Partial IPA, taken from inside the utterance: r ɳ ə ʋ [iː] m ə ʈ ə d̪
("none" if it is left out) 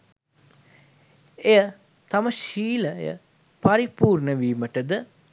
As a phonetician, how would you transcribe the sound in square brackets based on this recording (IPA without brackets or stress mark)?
iː